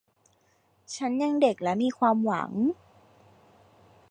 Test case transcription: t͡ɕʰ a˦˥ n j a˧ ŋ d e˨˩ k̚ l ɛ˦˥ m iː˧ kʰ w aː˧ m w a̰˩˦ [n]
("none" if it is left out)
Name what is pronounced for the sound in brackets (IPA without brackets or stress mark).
ŋ